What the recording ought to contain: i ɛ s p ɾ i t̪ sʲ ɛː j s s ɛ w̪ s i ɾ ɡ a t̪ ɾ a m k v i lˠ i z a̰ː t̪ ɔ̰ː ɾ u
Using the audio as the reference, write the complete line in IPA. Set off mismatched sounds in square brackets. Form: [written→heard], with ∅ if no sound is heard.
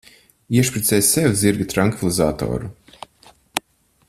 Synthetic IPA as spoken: i ɛ [s→ʃ] p ɾ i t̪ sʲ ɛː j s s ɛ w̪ [s→z] i ɾ ɡ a t̪ ɾ a [m→ŋ] k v i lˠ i z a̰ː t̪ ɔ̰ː ɾ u